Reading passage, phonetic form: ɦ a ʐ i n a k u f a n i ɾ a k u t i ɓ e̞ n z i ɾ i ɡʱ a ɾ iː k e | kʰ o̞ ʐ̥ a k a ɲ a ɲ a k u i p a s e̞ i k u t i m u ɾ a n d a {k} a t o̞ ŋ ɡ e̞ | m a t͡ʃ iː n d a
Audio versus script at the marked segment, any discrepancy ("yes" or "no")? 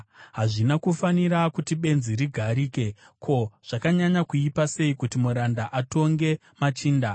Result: yes